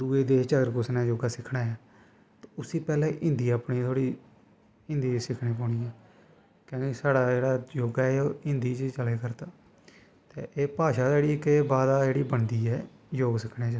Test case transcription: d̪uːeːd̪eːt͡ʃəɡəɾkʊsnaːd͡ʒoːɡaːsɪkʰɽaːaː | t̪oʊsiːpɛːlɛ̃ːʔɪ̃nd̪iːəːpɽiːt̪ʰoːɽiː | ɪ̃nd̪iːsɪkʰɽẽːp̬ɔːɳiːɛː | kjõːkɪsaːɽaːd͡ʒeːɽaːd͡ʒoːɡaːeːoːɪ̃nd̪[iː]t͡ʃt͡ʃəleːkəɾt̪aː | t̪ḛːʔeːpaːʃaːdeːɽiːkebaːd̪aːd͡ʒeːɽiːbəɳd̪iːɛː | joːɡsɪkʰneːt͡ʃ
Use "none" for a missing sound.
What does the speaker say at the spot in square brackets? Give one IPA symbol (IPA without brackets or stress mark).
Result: iː